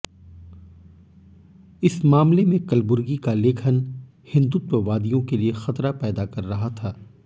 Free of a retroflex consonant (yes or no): yes